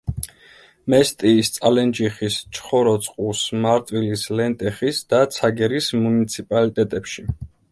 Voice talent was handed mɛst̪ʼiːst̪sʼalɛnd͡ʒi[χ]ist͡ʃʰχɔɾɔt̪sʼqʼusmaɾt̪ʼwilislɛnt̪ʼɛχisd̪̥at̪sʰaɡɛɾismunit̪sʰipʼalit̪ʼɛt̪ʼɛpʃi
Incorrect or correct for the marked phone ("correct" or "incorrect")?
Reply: correct